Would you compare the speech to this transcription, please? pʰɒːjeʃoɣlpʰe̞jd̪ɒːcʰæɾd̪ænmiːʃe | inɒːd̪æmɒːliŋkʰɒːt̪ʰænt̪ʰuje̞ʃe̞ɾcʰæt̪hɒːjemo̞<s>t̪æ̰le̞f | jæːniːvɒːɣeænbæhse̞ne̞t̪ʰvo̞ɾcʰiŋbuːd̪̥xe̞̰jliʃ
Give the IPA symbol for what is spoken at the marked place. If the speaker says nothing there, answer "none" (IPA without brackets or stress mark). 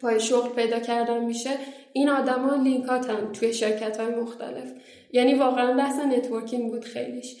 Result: x